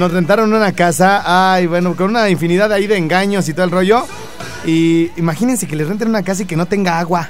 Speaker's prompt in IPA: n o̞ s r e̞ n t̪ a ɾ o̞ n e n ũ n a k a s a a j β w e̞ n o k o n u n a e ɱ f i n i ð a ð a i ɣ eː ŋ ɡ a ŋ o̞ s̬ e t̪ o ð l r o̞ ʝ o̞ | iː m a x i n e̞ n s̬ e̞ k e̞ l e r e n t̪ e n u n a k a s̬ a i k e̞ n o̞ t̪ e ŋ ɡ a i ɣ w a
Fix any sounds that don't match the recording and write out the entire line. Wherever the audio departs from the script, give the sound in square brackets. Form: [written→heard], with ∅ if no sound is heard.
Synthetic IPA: n o̞ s r e̞ n t̪ a ɾ o̞ n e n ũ n a k a s a a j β w e̞ n o k o n u n a [e→i] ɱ f i n i ð a ð a i [ɣ→ð] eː ŋ ɡ a [ŋ→ɲ] o̞ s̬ [e→i] t̪ o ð l r o̞ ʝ o̞ | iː m a x i n e̞ n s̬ e̞ k e̞ l e r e n t̪ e n u n a k a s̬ a i k e̞ n o̞ t̪ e ŋ ɡ a [i→a] ɣ w a